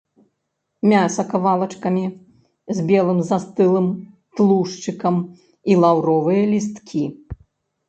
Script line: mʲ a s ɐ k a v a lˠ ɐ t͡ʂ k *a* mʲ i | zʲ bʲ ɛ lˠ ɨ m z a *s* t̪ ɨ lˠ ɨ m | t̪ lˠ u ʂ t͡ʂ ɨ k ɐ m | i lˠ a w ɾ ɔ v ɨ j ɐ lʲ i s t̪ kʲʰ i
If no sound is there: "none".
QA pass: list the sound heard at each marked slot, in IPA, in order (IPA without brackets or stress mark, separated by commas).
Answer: ɐ, s